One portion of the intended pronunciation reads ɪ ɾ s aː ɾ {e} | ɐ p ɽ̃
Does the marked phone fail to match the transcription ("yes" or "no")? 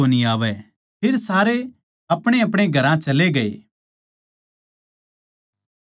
no